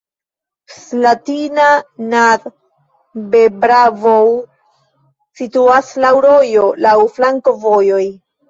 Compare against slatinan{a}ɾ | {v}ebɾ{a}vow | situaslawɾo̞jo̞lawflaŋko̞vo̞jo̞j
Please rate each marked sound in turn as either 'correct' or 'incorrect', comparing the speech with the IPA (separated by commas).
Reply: correct, incorrect, correct